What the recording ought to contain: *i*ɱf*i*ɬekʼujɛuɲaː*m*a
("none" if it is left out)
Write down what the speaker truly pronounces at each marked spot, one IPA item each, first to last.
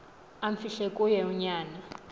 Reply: a, i, n

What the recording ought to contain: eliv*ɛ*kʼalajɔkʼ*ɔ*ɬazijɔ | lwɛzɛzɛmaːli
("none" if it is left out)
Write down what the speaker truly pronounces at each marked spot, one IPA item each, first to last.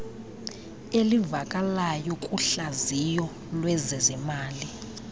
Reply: a, u

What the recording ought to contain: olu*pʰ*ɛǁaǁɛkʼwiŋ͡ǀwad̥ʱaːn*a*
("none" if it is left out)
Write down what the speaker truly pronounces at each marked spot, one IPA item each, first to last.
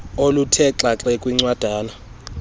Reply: tʰ, a

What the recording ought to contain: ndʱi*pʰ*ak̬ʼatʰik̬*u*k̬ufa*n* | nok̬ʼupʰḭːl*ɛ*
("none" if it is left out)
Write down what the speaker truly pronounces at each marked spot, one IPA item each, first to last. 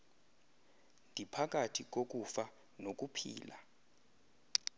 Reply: pʰ, o, none, a

